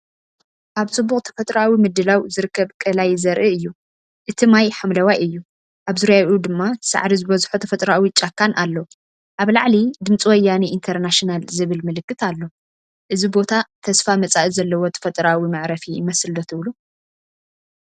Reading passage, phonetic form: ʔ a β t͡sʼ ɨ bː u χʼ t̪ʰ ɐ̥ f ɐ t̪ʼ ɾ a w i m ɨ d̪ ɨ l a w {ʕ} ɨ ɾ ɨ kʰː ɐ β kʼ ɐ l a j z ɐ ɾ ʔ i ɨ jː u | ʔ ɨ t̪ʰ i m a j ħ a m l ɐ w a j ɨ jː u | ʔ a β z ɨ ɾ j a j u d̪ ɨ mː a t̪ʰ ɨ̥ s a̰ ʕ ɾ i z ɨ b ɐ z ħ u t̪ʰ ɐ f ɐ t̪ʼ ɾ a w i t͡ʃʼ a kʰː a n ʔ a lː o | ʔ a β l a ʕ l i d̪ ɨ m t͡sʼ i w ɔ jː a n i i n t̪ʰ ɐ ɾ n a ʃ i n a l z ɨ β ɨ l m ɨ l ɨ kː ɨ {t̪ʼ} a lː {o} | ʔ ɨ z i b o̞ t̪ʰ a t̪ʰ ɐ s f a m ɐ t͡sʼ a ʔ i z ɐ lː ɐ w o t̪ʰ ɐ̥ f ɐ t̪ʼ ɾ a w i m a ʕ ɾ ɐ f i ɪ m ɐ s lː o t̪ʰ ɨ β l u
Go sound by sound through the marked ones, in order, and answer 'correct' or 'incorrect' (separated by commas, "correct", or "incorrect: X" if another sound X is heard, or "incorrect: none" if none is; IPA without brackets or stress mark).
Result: incorrect: z, incorrect: t̪, correct